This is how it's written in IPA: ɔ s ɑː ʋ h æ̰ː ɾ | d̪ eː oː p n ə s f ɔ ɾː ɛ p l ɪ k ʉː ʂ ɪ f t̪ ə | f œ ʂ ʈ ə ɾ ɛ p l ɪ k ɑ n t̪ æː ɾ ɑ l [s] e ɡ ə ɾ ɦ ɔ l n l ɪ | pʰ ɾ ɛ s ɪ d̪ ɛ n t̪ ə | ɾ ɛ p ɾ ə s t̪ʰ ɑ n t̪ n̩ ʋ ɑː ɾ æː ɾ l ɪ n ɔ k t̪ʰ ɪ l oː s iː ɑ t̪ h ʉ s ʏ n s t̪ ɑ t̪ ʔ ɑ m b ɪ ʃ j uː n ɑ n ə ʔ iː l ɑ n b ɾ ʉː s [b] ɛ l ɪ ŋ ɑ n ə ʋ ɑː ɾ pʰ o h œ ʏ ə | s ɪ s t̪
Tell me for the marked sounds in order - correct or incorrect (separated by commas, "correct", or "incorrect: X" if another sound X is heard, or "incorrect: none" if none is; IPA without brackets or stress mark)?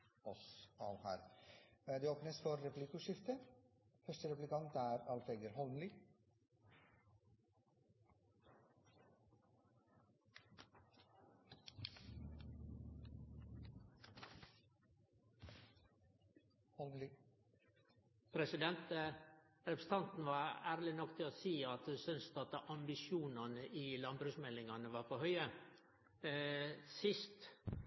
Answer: incorrect: f, incorrect: m